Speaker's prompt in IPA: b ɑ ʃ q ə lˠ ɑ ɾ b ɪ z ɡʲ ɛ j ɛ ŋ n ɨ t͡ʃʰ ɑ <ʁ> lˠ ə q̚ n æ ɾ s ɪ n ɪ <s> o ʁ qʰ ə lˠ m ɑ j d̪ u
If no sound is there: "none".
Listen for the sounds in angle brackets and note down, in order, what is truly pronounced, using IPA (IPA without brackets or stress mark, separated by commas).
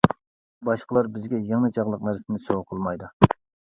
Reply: ʁ, s